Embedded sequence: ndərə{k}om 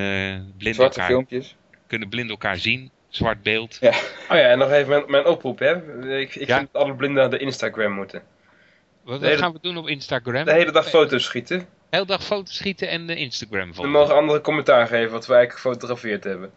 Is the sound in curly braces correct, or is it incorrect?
correct